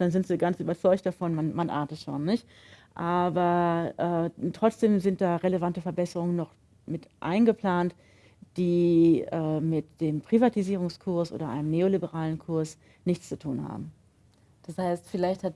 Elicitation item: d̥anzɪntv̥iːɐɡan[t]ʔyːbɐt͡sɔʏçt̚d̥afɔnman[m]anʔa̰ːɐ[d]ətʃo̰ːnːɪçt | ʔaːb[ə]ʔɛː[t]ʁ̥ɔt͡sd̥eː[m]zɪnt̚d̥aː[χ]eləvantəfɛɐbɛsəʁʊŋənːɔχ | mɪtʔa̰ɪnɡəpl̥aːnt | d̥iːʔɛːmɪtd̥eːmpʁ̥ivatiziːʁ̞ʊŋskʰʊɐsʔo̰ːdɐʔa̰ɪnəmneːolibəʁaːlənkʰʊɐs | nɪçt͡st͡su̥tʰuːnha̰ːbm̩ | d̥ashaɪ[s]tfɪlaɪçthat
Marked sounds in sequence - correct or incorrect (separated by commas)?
incorrect, correct, incorrect, incorrect, correct, correct, incorrect, correct